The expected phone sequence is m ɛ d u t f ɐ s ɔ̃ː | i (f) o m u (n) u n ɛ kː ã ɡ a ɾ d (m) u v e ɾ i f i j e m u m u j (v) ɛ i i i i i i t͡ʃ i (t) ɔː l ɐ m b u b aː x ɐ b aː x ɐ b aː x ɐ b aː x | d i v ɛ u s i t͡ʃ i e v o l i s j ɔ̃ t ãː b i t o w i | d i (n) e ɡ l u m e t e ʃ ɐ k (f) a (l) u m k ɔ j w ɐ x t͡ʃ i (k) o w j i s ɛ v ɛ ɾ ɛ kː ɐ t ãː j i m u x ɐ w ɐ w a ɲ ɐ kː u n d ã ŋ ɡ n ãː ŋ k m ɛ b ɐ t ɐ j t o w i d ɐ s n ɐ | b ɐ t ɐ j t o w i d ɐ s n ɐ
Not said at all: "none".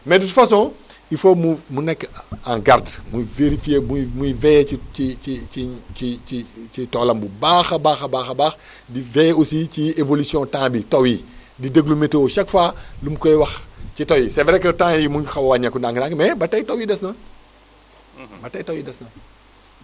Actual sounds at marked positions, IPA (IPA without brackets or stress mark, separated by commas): f, m, m, v, t, d, f, l, t